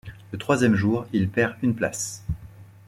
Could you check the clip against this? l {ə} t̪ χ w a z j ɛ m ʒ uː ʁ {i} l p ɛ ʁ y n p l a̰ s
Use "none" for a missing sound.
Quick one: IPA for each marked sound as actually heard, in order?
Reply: ə, i

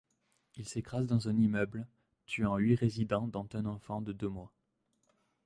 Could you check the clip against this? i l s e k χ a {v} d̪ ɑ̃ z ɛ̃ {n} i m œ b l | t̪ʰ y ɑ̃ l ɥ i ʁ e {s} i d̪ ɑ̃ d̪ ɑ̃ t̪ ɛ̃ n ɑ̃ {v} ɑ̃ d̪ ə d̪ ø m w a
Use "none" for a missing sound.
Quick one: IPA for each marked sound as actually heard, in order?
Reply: z, n, z, f

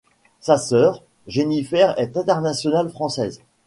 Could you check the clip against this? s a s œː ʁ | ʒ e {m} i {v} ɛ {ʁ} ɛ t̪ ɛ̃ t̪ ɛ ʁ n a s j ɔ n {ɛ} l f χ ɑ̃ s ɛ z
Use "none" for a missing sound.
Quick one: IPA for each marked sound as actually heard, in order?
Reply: n, f, ʁ, a

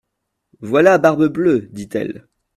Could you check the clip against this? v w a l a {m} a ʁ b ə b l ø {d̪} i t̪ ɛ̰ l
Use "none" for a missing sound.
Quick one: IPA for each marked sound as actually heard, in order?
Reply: b, d̪

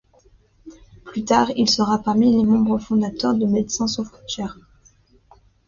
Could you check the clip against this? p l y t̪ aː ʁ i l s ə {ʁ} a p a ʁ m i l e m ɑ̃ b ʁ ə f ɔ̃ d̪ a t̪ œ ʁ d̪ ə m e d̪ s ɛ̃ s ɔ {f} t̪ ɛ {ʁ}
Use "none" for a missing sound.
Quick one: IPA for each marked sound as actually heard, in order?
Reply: ʁ, f, ʁ

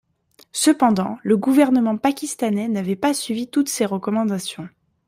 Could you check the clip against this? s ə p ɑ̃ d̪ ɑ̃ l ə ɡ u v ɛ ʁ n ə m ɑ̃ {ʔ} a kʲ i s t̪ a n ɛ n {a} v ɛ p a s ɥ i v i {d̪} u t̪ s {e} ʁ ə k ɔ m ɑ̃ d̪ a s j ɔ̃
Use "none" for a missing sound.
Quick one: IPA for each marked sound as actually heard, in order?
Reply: p, a, t̪, e

